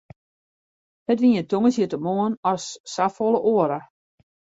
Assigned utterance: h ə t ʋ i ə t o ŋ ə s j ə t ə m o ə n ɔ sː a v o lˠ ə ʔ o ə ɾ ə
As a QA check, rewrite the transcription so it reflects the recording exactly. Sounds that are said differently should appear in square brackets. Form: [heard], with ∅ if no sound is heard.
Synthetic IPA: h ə t ʋ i ə t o ŋ ə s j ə t ə m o ə n ɔ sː a [f] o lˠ ə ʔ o ə ɾ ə